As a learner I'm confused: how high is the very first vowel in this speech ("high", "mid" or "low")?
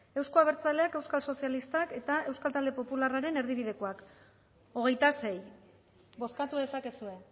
mid